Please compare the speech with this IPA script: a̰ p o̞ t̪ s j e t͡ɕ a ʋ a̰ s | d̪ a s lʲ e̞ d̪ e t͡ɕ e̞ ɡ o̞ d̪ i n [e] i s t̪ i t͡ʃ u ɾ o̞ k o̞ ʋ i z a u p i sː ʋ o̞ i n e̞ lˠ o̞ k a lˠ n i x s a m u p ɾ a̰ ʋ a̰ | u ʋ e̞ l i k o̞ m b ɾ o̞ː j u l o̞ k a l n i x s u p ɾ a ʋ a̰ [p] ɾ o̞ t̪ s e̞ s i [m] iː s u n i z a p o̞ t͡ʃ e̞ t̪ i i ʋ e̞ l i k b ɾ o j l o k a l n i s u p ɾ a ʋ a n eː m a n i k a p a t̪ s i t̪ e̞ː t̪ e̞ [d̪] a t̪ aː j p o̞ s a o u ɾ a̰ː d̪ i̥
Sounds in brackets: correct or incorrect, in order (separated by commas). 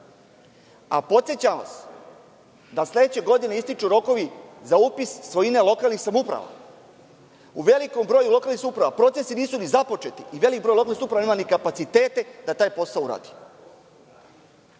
correct, correct, incorrect, correct